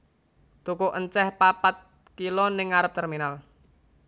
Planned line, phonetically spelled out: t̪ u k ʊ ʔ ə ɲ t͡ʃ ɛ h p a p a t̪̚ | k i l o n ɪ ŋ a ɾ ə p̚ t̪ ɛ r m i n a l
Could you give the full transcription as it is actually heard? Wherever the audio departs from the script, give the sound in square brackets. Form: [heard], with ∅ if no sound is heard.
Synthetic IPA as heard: t̪ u k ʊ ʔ ə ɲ t͡ʃ ɛ h p a p a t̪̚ | k i l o n ɪ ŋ a ɾ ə p̚ t̪ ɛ r m i n a l

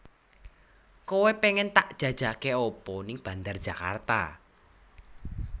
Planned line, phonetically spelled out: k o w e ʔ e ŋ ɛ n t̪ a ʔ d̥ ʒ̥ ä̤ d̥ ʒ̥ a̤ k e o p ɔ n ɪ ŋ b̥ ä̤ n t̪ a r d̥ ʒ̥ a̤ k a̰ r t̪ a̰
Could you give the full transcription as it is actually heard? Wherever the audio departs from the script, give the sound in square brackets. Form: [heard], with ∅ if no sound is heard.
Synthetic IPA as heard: k o w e [p] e ŋ ɛ n t̪ a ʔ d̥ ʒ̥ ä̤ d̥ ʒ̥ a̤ k e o p ɔ n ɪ ŋ b̥ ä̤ n [d̪] a r d̥ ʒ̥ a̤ k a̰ r t̪ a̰

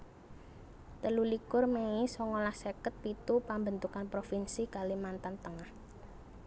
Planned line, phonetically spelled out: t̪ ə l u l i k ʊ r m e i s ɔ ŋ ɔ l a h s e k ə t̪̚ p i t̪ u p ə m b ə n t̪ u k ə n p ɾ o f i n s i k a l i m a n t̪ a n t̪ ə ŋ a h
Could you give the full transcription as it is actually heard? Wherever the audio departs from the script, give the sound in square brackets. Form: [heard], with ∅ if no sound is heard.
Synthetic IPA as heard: t̪ ə l u l i k ʊ r m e i s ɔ ŋ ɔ l a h s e k ə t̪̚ p i t̪ u p [a] m b ə n t̪ u k [a] n p ɾ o f i n s i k a l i m a n t̪ a n t̪ ə ŋ a h

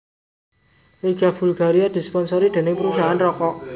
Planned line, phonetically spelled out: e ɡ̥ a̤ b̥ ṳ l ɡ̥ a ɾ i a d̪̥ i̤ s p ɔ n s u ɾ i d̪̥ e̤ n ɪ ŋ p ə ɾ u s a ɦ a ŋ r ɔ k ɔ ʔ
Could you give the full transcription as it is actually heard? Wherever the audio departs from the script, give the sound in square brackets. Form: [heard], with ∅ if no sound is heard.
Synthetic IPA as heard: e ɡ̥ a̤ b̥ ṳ l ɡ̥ a ɾ i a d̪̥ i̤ s p ɔ n s [ɔ] ɾ i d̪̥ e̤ n ɪ ŋ p ə ɾ u s a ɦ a [n] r ɔ k ɔ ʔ

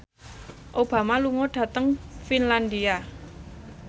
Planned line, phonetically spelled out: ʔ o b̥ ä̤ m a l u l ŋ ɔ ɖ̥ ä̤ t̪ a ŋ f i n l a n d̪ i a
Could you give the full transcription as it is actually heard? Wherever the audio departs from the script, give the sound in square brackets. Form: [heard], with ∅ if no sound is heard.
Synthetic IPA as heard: ʔ o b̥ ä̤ m a l u [∅] ŋ ɔ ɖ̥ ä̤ t̪ [ə] ŋ f i n l a n d̪ i a

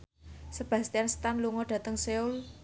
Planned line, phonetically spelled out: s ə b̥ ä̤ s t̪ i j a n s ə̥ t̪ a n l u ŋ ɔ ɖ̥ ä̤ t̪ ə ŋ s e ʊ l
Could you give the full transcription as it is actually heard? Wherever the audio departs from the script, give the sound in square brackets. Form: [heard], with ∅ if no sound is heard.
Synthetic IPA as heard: s ə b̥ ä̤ s t̪ i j a n s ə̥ t̪ a n l u ŋ ɔ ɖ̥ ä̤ t̪ ə ŋ s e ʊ l

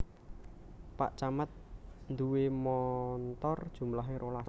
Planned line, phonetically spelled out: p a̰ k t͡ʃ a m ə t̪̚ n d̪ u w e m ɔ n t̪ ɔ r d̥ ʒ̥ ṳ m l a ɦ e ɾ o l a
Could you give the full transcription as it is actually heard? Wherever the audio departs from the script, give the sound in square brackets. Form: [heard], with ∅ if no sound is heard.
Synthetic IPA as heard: p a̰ [ʔ] t͡ʃ a m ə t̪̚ n d̪ u w e m ɔ n t̪ ɔ r d̥ ʒ̥ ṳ m l a ɦ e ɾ o l a

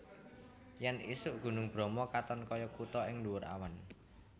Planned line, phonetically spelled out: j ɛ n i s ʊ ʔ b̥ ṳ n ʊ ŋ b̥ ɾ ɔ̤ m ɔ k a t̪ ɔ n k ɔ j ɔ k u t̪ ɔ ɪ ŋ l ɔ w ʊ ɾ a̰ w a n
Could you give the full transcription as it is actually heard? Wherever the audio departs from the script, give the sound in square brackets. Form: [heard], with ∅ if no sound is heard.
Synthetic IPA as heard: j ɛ n i s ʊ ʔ [ɡ̥] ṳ n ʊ ŋ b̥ ɾ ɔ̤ m ɔ k a t̪ ɔ n k ɔ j ɔ k u t̪ ɔ ɪ ŋ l [u] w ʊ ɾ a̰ w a n

